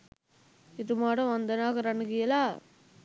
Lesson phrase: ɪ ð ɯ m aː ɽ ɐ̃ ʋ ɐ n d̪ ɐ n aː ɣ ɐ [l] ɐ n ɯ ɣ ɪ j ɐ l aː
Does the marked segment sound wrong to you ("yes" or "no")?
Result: yes